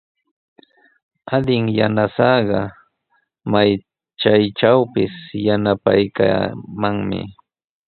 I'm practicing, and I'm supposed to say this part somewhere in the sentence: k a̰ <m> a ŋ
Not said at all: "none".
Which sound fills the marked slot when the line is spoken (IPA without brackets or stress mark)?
m